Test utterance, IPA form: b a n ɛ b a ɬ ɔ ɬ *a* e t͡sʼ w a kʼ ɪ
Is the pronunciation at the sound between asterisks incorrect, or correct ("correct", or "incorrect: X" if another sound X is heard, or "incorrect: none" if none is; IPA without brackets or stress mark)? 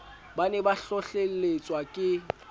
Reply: incorrect: e